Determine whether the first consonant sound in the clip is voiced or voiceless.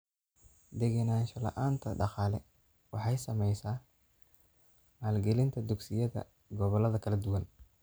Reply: voiced